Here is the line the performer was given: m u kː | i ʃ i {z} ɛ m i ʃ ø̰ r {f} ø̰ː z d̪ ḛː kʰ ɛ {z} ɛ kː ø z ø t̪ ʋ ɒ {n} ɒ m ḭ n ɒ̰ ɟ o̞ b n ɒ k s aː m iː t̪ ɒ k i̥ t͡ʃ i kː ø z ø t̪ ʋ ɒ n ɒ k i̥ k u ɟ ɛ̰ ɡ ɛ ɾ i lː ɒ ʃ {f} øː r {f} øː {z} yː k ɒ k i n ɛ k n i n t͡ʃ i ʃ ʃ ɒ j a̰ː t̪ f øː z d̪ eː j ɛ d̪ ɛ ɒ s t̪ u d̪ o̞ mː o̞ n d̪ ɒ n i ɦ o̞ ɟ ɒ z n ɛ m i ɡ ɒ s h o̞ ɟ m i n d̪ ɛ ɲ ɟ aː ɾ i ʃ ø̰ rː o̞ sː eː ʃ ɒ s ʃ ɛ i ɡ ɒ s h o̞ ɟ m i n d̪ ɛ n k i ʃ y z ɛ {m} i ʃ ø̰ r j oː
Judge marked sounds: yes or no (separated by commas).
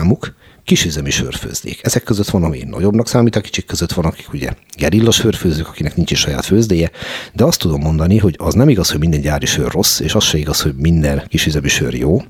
yes, yes, yes, yes, yes, yes, yes, yes